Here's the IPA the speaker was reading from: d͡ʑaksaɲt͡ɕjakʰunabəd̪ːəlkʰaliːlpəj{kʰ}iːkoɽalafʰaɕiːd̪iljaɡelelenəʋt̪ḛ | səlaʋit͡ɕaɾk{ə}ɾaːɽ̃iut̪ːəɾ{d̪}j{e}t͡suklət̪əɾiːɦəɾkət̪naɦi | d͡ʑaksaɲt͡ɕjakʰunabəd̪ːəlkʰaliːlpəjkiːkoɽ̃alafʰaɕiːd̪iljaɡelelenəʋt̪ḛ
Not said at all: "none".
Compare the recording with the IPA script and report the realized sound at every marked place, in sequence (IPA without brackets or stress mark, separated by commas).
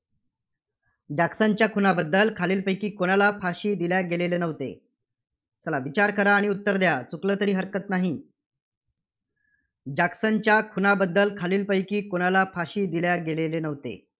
k, ə, d̪, a